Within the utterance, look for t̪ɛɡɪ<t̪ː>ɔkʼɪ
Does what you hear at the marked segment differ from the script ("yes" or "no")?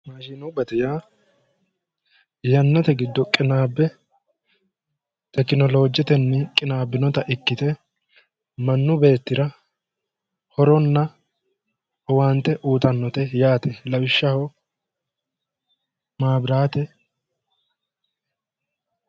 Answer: yes